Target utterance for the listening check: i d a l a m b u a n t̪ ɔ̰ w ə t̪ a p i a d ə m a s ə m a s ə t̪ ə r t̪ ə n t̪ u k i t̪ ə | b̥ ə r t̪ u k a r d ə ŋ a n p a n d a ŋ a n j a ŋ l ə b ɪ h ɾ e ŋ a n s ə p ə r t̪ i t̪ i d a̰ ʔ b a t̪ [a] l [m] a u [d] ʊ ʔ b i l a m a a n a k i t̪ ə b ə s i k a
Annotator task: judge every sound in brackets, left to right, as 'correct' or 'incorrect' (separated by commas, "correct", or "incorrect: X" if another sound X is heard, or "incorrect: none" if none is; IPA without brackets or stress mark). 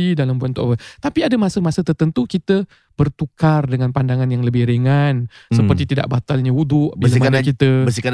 correct, incorrect: ɲ, correct